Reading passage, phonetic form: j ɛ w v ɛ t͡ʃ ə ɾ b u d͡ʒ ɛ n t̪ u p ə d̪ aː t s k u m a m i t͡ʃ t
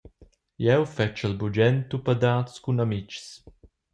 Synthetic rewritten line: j ɛ w f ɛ t͡ʃ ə l b u d͡ʒ ɛ n t̪ u p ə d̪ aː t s k u n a m i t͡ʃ s

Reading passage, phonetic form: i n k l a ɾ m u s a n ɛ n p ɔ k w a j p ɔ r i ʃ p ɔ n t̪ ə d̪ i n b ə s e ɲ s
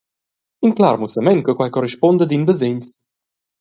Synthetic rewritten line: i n k l a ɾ m u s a m ɛ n k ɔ k w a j k ɔ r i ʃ p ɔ n d̪ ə d̪ i n b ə z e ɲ s

